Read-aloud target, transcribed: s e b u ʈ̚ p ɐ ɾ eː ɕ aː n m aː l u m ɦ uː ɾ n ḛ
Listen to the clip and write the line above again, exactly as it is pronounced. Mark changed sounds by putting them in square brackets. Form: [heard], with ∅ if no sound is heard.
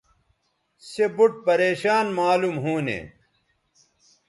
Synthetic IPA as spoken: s e b u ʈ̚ p ɐ ɾ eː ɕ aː n m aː l u m ɦ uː [∅] n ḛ